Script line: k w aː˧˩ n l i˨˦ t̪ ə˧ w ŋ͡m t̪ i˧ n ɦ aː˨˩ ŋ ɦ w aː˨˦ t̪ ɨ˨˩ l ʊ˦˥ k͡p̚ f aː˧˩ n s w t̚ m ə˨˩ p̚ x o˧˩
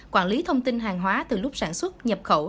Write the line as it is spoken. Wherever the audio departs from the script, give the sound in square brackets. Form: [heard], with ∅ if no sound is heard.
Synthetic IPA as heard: k w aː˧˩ n l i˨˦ [t̪ʰ] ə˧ w ŋ͡m t̪ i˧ n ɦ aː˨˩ ŋ ɦ w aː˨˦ t̪ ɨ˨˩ l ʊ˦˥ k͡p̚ [s] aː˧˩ n s w t̚ [ɲ] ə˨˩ p̚ x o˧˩